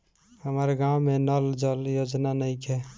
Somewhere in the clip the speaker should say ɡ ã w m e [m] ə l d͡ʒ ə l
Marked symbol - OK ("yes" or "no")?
no